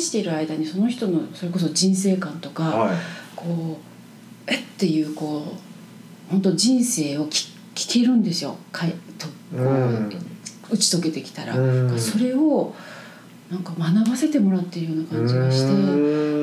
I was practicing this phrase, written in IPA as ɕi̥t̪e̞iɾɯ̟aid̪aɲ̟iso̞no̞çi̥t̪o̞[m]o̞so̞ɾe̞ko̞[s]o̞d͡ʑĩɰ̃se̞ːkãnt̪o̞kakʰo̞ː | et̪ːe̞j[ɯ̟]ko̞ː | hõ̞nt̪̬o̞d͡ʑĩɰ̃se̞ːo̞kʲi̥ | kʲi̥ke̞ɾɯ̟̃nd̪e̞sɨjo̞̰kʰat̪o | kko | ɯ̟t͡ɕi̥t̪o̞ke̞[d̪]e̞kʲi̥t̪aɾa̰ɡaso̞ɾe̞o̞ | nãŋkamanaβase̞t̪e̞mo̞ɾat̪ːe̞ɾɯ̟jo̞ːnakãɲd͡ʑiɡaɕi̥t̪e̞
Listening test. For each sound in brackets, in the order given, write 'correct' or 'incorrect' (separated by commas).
incorrect, correct, incorrect, incorrect